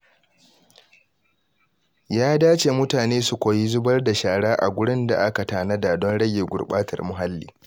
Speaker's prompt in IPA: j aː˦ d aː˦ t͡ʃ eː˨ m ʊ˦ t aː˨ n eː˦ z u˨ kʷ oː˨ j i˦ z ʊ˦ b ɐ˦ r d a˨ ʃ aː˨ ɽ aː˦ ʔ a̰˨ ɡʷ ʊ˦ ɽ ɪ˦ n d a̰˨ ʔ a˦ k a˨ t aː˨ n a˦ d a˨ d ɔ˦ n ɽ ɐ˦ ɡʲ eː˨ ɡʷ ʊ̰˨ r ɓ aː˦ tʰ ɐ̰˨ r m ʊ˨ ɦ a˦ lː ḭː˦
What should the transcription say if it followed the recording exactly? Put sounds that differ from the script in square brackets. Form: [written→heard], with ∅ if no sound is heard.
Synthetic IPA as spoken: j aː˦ d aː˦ t͡ʃ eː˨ m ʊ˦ t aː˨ n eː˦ [z→s] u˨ kʷ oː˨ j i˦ z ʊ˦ b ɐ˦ r d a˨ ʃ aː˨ ɽ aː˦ ʔ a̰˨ ɡʷ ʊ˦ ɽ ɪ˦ n d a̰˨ ʔ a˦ k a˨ t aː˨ n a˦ d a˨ d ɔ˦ n ɽ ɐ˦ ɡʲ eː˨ ɡʷ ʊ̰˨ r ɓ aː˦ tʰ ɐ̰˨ r m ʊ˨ ɦ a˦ lː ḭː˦